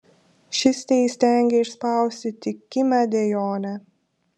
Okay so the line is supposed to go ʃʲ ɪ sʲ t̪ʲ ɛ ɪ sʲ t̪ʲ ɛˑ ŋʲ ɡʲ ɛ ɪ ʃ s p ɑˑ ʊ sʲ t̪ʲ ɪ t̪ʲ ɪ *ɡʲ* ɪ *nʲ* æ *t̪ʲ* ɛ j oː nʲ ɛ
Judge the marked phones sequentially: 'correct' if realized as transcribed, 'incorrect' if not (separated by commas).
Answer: incorrect, incorrect, incorrect